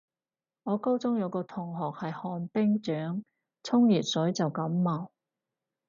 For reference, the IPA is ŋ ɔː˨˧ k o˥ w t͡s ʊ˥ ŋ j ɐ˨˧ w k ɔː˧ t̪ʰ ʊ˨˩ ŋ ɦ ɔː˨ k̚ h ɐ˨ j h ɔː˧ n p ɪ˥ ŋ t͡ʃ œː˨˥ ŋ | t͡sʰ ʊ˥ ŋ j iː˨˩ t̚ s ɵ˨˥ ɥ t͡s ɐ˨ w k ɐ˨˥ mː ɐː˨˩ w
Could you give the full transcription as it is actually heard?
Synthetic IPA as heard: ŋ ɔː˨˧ k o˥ w t͡s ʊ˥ ŋ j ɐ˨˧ w k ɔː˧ t̪ʰ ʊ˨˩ ŋ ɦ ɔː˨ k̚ h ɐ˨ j h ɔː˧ n p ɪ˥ ŋ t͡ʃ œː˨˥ ŋ | t͡sʰ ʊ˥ ŋ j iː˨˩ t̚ s ɵ˨˥ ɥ t͡s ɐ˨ w k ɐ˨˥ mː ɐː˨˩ w